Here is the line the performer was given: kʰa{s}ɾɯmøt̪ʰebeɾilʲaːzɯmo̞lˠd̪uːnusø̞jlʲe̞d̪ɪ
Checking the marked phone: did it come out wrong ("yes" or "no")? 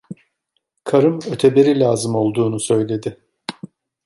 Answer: yes